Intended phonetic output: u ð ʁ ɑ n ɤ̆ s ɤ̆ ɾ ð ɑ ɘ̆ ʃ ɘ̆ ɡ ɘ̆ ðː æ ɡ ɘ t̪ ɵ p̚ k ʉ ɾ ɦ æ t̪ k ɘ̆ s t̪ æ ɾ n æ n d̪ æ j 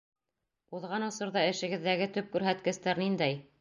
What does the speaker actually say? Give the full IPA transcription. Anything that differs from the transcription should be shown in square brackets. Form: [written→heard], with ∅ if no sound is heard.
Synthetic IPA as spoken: u ð ʁ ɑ n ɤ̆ s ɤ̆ ɾ ð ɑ ɘ̆ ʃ ɘ̆ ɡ ɘ̆ ðː æ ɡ ɘ t̪ ɵ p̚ k ʉ ɾ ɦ æ t̪ k ɘ̆ s t̪ æ ɾ n [æ→i] n d̪ æ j